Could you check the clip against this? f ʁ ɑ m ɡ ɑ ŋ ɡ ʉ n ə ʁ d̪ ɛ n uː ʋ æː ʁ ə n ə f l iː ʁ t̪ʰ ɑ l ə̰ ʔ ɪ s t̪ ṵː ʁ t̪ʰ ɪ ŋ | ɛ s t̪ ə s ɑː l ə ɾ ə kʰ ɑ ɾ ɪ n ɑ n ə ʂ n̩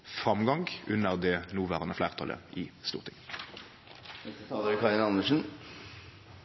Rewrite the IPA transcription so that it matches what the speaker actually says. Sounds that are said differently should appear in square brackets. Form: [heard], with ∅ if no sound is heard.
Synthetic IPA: f ʁ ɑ m ɡ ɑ ŋ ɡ ʉ n ə ʁ d̪ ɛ n uː ʋ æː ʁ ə n ə f l [æː] ʁ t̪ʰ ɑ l ə̰ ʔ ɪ s t̪ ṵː ʁ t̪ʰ ɪ ŋ | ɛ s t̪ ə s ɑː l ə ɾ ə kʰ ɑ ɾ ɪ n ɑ n ə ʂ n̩